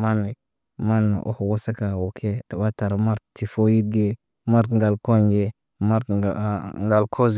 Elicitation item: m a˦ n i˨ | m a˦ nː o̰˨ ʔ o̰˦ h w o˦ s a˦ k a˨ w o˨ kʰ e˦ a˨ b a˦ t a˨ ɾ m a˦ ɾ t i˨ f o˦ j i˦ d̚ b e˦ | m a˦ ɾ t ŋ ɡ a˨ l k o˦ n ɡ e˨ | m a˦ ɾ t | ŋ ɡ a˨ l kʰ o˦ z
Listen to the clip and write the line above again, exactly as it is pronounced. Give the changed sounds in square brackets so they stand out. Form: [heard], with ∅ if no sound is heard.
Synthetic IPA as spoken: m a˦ n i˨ | m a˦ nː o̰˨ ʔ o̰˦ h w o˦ s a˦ k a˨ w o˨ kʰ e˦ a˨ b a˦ t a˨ ɾ m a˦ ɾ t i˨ f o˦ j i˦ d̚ [ɡ] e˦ | m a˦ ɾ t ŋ ɡ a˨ l k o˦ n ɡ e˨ | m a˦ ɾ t | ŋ ɡ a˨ l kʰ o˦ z